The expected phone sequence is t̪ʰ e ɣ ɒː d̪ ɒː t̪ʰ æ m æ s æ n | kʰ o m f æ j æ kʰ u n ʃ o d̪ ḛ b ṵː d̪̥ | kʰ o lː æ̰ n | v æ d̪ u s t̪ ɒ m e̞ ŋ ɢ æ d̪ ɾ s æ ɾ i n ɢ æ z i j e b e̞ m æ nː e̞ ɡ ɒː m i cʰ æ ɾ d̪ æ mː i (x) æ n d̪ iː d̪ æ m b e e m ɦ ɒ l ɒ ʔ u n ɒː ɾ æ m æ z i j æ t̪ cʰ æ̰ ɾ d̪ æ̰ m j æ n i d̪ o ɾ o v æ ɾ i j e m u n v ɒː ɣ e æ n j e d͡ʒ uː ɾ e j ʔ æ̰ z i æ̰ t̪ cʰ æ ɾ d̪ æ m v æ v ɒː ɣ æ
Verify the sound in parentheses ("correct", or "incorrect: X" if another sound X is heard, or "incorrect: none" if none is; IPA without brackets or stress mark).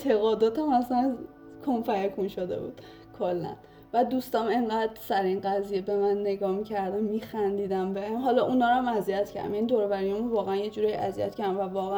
correct